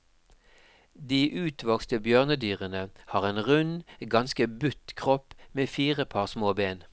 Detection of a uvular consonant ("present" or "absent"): present